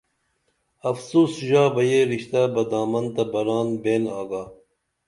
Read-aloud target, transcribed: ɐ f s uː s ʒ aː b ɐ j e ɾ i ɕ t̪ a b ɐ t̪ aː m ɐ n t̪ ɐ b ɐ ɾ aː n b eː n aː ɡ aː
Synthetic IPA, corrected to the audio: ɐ f s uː s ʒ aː b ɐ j e ɾ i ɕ t̪ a b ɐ d̪ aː m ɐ n t̪ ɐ b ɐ ɾ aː n b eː n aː ɡ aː

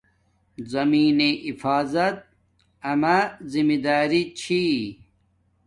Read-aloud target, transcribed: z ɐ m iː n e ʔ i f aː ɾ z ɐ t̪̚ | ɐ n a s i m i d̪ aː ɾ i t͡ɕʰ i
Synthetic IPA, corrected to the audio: z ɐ m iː n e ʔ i f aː z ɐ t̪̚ | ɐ m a z i m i d̪ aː ɾ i t͡ɕʰ i

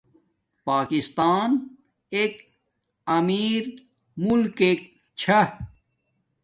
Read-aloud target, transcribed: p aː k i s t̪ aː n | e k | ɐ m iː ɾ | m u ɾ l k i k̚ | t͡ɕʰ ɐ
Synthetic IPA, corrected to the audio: p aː k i s t̪ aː n | e k | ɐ m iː ɾ | m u l k e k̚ | t͡ɕʰ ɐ

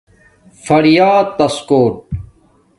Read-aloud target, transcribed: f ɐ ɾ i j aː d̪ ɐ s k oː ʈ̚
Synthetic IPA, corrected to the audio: f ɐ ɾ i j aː t̪ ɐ s k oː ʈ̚

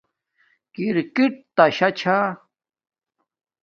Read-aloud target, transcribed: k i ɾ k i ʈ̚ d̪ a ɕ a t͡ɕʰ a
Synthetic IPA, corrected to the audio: k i ɾ k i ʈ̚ t̪ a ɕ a t͡ɕʰ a

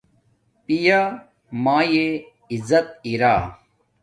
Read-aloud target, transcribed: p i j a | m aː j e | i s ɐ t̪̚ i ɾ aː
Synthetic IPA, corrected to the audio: p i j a | m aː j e | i z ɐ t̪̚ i ɾ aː

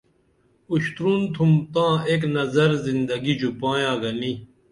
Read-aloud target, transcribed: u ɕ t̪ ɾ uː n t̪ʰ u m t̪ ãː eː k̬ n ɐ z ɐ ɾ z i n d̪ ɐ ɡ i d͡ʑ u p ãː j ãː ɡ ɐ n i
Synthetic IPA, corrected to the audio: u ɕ t̪ ɾ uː n t̪ʰ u m t̪ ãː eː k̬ n ɐ z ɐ ɾ z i n d̪ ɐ ɡ i d͡ʑ u p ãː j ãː ɡ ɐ n i

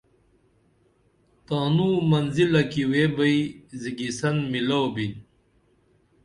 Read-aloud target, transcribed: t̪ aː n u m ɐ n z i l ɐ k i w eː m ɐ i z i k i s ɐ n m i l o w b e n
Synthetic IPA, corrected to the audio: t̪ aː n u m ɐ n z i l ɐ k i w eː b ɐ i z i ɡ i s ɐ n m i l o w b i n

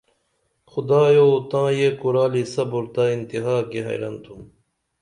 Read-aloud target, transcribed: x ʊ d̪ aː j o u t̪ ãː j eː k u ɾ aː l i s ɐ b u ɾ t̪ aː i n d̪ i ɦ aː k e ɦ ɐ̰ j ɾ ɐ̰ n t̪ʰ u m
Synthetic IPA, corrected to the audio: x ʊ d̪ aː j o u t̪ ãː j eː k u ɾ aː l i s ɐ b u ɾ t̪ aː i n t̪ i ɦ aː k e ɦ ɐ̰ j ɾ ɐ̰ n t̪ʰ u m

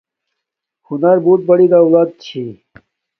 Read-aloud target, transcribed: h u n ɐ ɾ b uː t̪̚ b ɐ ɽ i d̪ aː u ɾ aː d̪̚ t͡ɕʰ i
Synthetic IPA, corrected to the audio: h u n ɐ ɾ b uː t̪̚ b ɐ ɽ i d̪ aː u l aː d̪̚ t͡ɕʰ i

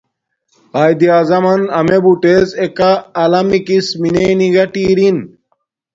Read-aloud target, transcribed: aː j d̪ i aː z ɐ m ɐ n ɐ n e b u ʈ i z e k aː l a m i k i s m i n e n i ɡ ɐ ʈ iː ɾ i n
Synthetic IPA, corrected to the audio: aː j d̪ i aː z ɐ m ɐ n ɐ m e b u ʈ e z e k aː l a m i k i s m i n e n i ɡ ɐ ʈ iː ɾ i n

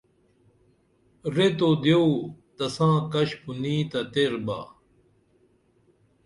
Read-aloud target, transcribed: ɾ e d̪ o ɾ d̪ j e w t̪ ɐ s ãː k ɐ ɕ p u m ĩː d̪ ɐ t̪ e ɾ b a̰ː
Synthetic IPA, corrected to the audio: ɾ e t̪ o d̪ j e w t̪ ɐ s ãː k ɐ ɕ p u n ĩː t̪ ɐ t̪ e ɾ b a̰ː

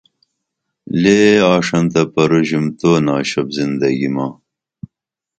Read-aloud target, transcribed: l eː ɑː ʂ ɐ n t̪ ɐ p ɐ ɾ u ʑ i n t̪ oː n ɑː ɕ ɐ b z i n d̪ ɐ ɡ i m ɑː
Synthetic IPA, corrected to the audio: l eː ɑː ʂ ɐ n t̪ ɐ p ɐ ɾ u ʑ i m t̪ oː n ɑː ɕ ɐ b z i n d̪ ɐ ɡ i m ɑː

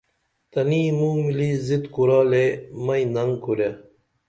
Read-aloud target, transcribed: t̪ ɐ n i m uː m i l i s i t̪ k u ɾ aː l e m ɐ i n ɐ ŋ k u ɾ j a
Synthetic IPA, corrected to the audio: t̪ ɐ n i m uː m i l i z i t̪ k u ɾ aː l e m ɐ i n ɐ ŋ k u ɾ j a

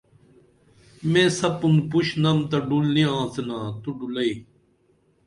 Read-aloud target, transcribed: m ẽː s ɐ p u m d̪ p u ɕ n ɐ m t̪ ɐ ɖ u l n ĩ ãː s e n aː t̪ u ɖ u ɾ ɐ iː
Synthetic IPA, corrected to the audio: m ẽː s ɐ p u n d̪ p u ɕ n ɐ m t̪ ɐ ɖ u l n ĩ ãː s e n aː t̪ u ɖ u l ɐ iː

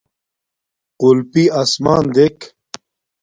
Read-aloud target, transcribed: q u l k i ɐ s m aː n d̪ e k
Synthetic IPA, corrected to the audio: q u l p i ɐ s m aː n d̪ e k

